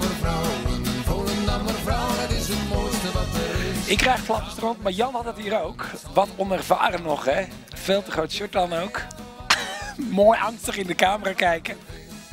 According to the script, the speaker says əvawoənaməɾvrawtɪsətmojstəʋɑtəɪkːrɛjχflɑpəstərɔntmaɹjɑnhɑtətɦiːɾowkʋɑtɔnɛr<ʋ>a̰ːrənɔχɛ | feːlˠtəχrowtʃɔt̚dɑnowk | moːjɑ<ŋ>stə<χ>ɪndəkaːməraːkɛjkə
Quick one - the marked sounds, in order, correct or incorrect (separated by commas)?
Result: incorrect, correct, correct